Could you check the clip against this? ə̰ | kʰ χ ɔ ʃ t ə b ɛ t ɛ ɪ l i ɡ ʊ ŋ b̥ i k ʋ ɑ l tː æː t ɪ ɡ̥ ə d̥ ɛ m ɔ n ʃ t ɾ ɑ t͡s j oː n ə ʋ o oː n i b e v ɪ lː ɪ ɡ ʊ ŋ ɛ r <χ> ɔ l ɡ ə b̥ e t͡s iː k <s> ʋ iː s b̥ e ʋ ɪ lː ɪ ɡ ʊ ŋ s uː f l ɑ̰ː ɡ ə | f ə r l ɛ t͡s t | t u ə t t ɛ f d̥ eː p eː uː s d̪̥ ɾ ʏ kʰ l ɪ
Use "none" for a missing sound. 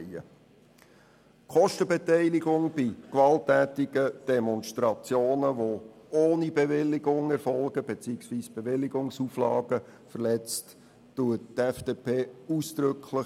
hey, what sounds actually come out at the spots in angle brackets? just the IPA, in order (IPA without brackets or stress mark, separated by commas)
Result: f, s